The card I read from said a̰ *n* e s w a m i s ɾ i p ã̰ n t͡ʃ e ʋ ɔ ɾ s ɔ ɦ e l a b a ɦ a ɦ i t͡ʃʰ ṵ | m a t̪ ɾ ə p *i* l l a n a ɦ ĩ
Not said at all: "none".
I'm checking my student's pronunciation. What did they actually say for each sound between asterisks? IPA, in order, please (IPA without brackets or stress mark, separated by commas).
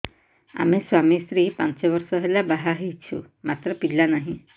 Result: m, i